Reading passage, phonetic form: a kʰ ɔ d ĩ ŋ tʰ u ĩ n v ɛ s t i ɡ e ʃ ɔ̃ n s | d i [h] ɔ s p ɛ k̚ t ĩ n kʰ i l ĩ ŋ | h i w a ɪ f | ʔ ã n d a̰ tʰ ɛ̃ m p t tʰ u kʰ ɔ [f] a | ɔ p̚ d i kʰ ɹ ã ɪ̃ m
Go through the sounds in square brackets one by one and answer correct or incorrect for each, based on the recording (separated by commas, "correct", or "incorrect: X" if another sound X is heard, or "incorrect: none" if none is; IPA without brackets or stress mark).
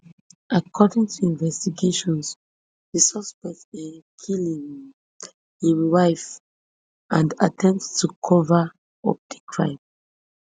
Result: incorrect: s, incorrect: v